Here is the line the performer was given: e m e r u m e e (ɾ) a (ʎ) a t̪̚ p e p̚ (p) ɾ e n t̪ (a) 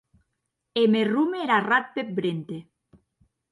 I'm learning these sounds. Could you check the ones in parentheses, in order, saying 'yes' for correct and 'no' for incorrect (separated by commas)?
yes, no, no, no